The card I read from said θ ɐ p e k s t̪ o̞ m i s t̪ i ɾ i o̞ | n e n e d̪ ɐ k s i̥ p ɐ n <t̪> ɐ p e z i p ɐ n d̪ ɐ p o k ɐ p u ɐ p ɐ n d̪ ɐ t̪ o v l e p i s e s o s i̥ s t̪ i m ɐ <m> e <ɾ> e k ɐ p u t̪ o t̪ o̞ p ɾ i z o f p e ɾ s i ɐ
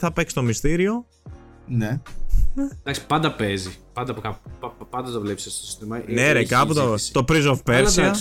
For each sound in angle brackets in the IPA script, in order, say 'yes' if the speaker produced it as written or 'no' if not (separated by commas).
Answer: no, no, yes